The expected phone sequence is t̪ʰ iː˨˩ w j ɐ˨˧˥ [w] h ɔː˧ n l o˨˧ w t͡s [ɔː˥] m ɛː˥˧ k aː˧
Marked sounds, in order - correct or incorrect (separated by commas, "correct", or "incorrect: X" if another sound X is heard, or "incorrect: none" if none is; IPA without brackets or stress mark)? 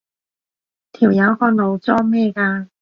correct, correct